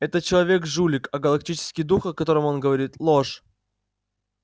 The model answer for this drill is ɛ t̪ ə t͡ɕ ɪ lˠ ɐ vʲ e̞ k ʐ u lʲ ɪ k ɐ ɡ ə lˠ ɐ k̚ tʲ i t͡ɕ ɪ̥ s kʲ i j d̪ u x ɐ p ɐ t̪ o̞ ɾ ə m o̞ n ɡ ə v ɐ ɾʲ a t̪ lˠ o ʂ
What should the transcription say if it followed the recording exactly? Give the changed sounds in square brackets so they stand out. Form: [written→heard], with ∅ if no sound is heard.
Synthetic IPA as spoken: ɛ t̪ ə t͡ɕ ɪ lˠ ɐ vʲ e̞ k ʐ u lʲ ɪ k ɐ ɡ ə lˠ ɐ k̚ tʲ i t͡ɕ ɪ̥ s kʲ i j d̪ u x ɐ [p→k] ɐ t̪ o̞ ɾ ə m o̞ n ɡ ə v ɐ ɾʲ [a→i] t̪ lˠ o ʂ